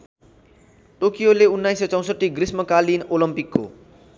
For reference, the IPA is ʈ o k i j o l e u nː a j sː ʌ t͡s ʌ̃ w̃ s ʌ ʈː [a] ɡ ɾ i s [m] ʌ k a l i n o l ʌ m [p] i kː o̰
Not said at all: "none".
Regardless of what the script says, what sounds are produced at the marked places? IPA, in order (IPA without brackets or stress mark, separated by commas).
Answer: i, m, p